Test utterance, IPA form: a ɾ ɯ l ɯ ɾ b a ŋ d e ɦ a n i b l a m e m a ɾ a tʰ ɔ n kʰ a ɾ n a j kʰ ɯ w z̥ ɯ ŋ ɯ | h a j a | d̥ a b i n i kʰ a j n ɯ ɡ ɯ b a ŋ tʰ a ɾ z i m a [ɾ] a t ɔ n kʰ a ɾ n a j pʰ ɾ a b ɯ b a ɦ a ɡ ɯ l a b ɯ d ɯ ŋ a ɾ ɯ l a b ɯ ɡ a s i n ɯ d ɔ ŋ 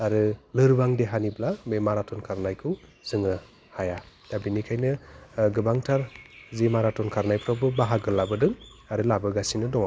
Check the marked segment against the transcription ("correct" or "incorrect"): correct